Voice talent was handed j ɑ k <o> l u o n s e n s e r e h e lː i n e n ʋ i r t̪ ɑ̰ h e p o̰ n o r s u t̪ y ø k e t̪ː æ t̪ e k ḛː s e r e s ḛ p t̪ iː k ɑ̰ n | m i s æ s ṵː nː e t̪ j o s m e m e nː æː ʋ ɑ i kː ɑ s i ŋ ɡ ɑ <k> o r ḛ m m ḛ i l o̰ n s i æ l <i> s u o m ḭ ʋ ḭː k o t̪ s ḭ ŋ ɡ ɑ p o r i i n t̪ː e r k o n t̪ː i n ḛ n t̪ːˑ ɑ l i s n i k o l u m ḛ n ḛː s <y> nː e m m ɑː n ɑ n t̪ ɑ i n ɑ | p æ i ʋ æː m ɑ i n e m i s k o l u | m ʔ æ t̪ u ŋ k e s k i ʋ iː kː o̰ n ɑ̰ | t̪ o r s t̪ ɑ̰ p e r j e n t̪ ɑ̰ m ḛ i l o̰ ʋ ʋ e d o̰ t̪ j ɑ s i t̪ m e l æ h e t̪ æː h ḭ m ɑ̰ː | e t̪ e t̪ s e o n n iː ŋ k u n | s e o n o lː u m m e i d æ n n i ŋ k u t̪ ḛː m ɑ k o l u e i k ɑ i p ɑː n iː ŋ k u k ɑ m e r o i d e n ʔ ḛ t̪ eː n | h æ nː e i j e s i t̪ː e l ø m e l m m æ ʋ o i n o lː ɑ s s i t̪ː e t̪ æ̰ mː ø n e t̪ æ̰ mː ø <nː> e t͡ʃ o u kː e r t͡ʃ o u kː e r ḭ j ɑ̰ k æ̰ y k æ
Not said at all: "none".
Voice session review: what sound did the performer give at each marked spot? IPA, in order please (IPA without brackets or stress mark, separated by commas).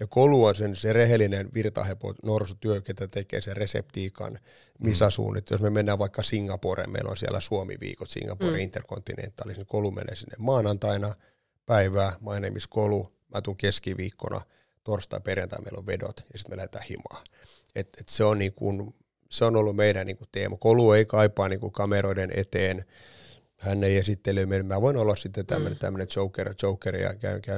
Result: o, p, æ, i, n